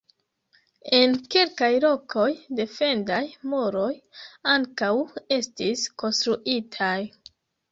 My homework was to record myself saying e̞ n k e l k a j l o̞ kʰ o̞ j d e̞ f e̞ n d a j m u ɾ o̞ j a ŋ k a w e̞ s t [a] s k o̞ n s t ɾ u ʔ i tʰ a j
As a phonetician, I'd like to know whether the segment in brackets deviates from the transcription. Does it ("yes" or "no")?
yes